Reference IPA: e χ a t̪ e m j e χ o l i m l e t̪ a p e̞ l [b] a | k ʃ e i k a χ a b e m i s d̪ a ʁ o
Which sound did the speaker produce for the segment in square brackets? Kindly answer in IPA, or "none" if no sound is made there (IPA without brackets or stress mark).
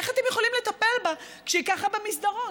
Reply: b